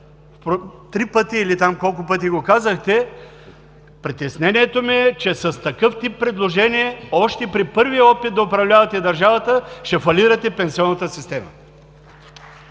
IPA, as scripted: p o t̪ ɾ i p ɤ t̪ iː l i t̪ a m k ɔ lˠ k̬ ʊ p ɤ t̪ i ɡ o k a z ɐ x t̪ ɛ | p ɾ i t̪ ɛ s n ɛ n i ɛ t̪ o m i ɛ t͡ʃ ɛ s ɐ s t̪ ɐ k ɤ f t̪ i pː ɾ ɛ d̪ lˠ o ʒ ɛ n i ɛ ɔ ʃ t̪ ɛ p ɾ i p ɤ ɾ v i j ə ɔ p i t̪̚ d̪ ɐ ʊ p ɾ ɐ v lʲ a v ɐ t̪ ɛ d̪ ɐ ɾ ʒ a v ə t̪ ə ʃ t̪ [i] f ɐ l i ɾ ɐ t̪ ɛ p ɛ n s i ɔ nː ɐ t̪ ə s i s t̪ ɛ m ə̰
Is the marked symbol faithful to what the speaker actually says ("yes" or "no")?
no